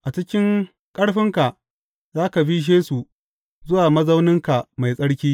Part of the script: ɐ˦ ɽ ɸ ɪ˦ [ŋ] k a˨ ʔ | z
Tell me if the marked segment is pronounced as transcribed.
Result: yes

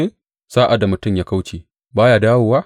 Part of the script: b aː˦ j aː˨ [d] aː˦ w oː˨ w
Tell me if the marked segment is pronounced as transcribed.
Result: yes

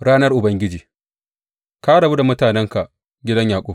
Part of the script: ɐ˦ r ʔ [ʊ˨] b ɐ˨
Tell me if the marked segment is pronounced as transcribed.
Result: yes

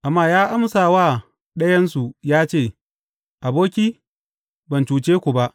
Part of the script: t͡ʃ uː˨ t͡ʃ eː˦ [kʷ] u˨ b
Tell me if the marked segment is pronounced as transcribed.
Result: yes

